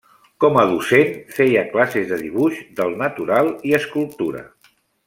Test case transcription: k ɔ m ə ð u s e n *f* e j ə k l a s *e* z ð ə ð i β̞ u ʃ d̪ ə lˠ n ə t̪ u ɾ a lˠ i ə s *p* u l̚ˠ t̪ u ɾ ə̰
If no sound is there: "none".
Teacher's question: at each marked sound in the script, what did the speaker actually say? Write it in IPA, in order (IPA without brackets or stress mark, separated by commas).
f, e, k